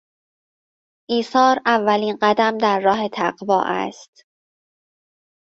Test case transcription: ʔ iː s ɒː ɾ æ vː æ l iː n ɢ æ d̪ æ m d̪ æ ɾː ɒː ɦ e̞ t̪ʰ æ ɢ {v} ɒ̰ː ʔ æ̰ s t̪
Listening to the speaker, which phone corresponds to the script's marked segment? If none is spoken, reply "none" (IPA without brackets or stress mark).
v